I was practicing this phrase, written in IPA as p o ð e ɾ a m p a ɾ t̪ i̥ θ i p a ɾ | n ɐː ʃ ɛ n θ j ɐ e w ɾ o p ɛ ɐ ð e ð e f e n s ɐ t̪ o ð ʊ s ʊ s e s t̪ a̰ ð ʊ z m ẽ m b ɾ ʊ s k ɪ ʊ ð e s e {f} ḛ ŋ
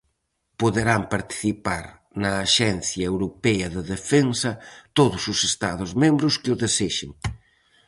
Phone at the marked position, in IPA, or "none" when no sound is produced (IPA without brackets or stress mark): ʃ